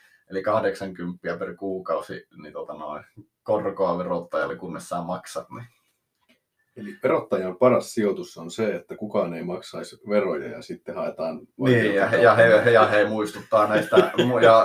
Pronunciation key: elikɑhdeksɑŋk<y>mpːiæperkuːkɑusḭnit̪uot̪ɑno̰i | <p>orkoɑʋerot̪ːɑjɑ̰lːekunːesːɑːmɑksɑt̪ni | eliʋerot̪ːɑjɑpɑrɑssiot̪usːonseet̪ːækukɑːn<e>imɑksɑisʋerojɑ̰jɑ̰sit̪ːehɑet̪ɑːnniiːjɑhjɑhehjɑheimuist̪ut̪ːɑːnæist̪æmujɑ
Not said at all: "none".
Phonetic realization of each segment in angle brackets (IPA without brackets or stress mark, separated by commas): y, k, e